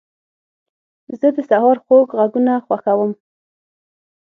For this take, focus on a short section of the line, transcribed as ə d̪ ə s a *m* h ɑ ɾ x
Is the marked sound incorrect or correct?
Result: incorrect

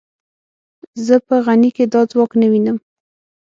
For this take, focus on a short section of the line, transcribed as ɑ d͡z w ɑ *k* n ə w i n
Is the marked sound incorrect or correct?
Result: correct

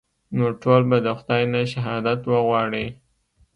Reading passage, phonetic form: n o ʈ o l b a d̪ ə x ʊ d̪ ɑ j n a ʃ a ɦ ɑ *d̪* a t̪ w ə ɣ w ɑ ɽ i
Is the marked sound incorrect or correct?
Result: correct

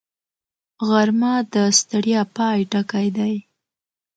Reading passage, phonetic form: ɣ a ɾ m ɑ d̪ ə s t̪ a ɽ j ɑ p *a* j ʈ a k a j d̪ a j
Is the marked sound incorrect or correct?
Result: incorrect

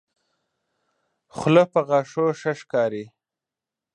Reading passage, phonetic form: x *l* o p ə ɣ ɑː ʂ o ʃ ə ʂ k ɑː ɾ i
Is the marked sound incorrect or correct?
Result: correct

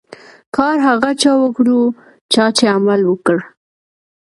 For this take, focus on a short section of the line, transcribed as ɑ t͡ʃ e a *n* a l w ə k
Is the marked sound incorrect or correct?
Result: incorrect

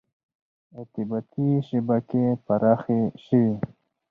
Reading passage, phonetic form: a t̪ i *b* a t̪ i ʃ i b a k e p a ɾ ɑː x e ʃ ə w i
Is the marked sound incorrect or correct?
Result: correct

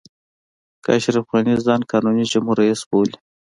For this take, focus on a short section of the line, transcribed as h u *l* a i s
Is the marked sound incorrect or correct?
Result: incorrect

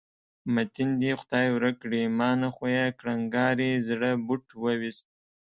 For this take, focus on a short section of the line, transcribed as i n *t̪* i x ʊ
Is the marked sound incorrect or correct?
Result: incorrect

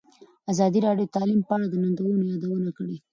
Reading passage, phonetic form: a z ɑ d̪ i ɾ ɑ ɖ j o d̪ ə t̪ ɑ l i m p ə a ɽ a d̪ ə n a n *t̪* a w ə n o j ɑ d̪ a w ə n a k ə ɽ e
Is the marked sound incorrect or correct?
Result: incorrect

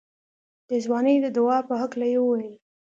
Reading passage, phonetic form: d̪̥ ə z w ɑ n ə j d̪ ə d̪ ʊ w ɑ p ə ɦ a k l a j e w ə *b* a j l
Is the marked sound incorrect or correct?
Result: incorrect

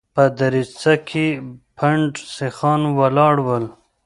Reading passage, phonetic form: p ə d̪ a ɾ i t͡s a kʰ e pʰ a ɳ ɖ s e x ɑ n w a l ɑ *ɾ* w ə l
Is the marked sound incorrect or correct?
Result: incorrect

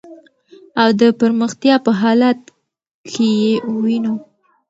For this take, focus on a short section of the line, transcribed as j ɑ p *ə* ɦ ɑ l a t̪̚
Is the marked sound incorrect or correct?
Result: correct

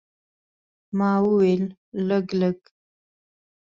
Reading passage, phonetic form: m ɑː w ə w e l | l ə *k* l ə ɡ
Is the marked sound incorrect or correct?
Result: incorrect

